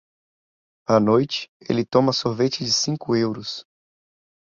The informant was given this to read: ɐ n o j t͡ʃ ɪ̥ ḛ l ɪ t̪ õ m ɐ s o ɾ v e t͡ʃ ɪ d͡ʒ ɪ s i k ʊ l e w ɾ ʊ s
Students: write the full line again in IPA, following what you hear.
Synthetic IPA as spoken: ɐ n o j t͡ʃ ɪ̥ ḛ l ɪ t̪ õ m ɐ s o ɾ v e t͡ʃ ɪ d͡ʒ ɪ s ĩ k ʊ e w ɾ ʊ s